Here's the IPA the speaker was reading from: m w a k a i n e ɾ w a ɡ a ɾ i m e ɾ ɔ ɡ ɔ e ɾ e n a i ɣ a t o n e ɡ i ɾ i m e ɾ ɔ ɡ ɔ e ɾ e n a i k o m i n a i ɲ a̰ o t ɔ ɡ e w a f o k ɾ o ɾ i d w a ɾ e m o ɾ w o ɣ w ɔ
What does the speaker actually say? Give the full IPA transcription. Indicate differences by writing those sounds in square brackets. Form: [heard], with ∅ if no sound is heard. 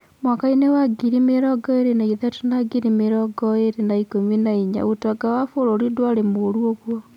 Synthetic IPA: m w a k a i n e [∅] w a ɡ [i] ɾ i m e ɾ ɔ ɡ ɔ e ɾ e n a i [ð] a t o n [a] ɡ i ɾ i m e ɾ ɔ ɡ ɔ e ɾ e n a i k o m i n a i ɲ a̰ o t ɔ ɡ [a] w a f o [∅] ɾ o ɾ i d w a ɾ e m o ɾ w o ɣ w ɔ